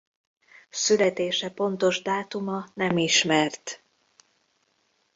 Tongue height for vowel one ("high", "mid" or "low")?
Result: high